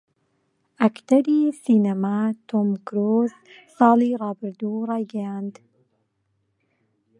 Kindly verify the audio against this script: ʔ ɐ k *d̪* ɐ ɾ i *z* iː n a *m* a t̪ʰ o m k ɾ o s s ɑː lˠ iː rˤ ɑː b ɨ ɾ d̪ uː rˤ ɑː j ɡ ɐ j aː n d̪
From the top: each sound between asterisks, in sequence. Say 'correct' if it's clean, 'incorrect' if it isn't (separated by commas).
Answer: incorrect, incorrect, correct